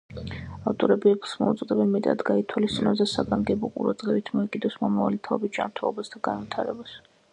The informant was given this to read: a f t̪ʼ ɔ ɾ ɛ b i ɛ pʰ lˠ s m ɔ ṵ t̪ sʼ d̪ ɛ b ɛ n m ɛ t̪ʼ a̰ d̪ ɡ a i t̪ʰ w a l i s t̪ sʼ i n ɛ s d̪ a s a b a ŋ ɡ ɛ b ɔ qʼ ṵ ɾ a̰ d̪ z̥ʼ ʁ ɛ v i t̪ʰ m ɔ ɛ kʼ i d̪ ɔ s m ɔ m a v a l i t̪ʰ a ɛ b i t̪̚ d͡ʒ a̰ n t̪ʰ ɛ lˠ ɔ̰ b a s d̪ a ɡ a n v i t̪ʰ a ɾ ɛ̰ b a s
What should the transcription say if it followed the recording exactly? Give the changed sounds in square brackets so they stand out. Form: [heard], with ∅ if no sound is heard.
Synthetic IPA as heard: a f t̪ʼ ɔ ɾ ɛ b i ɛ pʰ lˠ s m ɔ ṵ t̪ sʼ d̪ ɛ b ɛ n m ɛ t̪ʼ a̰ d̪ ɡ a i t̪ʰ w a l i s t̪ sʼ i n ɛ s d̪ a s a [ɡ] a ŋ ɡ ɛ b ɔ qʼ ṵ ɾ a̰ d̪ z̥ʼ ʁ ɛ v i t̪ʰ m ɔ ɛ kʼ i d̪ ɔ s m ɔ m a v a l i t̪ʰ a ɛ b i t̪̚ d͡ʒ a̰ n t̪ʰ ɛ lˠ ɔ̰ b a s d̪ a ɡ a n v i t̪ʰ a ɾ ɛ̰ b a s